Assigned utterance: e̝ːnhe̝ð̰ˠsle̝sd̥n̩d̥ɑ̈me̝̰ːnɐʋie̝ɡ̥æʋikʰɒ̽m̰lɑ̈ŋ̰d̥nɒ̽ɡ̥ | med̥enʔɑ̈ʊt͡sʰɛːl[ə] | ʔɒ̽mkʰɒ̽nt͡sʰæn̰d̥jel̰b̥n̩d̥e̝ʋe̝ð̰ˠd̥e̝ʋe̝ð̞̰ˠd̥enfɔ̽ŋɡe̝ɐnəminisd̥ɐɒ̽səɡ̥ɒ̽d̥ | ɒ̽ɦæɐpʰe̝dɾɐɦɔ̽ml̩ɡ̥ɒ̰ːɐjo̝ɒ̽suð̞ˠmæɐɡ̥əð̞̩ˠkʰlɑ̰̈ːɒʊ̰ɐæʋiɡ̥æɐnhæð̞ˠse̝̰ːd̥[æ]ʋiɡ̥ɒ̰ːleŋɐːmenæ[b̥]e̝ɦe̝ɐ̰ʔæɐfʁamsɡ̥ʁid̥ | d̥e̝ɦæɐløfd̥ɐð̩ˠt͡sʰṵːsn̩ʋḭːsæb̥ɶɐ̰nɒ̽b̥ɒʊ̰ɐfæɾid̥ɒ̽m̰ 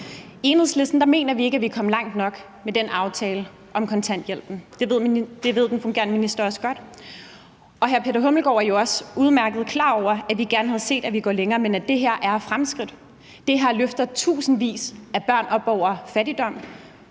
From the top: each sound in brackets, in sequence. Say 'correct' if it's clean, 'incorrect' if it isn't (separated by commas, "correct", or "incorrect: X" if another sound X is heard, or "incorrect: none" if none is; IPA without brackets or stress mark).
correct, correct, incorrect: d̥